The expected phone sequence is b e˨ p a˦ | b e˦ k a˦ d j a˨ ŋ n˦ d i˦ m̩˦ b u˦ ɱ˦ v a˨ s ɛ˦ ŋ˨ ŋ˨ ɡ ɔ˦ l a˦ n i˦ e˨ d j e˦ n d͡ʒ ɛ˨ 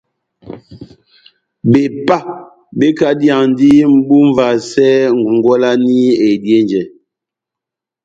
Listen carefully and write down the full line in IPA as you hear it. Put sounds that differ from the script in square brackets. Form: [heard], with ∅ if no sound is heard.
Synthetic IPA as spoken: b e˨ p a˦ | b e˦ k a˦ d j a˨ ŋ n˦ d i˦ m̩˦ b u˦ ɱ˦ v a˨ s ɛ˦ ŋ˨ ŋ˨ ɡ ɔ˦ l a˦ n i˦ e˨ d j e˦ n d͡ʒ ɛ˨